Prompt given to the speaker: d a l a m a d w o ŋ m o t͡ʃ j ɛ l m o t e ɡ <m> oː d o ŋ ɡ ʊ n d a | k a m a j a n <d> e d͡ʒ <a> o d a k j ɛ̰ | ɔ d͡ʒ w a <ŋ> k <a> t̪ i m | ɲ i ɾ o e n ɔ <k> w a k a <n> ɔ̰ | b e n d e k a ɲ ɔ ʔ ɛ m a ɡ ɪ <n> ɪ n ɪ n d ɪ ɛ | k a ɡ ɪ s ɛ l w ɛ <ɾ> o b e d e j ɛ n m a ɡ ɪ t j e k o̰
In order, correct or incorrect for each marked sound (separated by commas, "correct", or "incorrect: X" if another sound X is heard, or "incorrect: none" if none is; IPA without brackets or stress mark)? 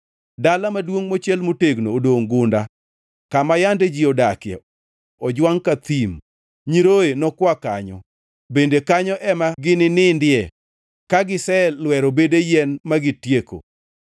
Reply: incorrect: n, correct, incorrect: i, correct, correct, correct, incorrect: ɲ, correct, correct